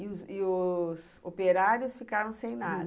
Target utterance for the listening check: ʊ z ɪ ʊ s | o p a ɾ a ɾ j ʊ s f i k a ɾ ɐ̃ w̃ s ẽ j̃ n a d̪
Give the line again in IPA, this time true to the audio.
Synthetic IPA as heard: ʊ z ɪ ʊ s | o p e ɾ a ɾ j ʊ s f i k a ɾ ɐ̃ w̃ s ẽ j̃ n a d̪